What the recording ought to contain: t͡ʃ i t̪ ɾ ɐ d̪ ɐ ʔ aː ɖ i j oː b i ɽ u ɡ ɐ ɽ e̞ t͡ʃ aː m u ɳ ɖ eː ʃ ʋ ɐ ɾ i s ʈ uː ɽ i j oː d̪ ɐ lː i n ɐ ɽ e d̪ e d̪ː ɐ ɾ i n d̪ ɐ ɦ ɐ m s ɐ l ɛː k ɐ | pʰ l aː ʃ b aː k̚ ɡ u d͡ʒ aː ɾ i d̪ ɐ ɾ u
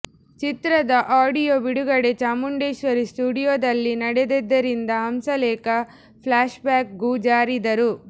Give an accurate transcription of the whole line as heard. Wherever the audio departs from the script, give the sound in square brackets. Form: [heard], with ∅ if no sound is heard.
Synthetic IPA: t͡ʃ i t̪ ɾ ɐ d̪ ɐ ʔ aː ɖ i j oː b i ɽ u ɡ ɐ ɽ e̞ t͡ʃ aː m u ɳ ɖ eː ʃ ʋ ɐ ɾ i s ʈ uː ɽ i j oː d̪ ɐ lː i n ɐ ɽ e d̪ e d̪ː ɐ ɾ i n d̪ ɐ ɦ ɐ m s ɐ l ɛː k ɐ | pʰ l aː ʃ b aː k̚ ɡ u d͡ʒ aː ɾ i d̪ ɐ ɾ u